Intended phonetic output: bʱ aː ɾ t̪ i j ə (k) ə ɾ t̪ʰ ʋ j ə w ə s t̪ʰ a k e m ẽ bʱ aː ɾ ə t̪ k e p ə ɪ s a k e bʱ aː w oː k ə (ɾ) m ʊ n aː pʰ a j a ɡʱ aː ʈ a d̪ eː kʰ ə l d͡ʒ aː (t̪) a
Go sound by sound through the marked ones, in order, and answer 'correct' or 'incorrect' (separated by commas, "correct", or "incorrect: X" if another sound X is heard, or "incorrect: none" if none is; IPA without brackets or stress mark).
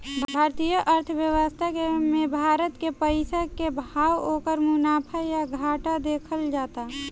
incorrect: ʔ, correct, correct